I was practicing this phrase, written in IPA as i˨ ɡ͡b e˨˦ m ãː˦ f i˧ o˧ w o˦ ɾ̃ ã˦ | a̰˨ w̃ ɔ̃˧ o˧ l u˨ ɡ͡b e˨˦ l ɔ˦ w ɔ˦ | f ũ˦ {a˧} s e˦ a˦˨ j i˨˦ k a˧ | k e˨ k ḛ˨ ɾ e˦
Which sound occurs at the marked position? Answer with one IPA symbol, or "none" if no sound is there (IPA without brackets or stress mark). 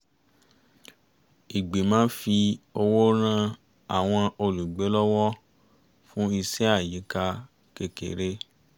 i˧